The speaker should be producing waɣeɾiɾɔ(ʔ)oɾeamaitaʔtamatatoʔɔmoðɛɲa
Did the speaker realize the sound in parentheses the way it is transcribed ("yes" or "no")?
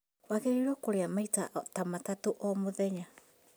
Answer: no